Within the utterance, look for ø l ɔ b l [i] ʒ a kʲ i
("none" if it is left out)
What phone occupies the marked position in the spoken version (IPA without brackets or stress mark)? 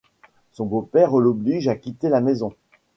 i